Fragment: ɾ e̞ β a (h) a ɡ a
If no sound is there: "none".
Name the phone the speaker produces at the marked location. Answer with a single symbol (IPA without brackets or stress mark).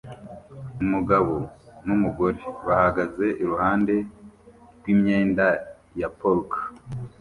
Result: h